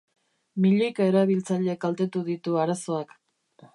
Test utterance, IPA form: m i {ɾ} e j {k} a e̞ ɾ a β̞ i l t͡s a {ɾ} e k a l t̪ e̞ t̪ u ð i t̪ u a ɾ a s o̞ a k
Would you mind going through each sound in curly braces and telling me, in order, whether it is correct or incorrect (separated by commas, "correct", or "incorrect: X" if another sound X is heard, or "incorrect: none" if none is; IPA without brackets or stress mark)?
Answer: incorrect: ʎ, correct, incorrect: ʎ